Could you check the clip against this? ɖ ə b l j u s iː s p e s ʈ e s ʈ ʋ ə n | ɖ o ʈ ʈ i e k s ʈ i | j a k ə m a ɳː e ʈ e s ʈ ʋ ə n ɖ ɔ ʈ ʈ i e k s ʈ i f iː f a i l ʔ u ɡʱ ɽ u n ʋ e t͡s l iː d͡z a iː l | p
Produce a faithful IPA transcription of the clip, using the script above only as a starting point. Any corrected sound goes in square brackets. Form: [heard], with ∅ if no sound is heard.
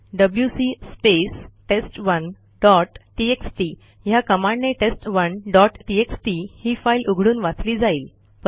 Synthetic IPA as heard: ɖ ə b l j u s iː s p e s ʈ e s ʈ ʋ ə n | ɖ [ɔ] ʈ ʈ i e k s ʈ i | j a k ə m a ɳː e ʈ e s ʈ ʋ ə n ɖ ɔ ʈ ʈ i e k s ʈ i [h] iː f a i l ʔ u ɡʱ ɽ [uː] n ʋ [a] t͡s l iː d͡z a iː l | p